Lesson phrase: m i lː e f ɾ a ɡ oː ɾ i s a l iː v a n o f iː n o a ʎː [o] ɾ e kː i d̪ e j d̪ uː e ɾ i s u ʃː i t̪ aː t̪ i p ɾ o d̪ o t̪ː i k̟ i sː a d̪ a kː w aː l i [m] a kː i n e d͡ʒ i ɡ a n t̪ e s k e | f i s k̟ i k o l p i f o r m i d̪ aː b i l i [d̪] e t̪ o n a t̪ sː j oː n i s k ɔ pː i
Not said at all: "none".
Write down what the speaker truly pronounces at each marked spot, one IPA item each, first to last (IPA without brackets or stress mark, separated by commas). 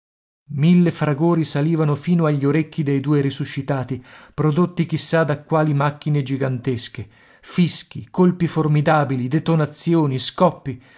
o, m, d̪